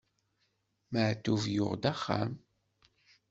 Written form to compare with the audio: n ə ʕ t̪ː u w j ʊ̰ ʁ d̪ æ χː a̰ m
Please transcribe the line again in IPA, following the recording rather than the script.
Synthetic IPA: m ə ʕ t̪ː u v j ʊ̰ ʁ d̪ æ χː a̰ m

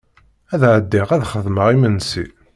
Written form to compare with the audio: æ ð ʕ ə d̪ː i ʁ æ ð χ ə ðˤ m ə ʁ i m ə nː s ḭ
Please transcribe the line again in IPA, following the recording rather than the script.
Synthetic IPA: æ ð ʕ ə d̪ː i ʁ æ ð χ ə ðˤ m ə ʁ i m ə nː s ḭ

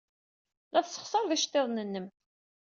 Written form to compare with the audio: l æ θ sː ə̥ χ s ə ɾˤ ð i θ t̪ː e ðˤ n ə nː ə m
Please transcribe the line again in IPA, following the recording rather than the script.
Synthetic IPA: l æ θ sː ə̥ χ s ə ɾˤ ð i ʃ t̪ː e ðˤ n ə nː ə m

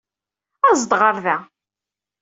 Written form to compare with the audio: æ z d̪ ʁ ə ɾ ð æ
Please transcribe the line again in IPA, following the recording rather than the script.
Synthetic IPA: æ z d̪ ʁ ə ɾ ð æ

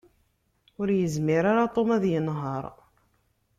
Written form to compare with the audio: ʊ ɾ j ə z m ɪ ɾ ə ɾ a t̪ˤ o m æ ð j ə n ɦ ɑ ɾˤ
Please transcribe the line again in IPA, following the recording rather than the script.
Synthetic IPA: ʊ ɾ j ə z m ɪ ɾ a ɾ a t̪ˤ o m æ ð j ə n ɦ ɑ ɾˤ

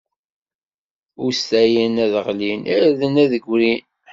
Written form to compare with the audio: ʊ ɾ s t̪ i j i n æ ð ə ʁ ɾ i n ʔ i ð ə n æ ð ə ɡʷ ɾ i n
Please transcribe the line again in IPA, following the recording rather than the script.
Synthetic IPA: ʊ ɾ s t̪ æ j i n æ ð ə ʁ l i n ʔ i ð ə n æ ð ə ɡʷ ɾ i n

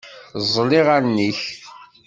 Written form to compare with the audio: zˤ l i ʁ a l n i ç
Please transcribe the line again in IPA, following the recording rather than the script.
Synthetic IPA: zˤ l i ʁ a ɾ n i ç

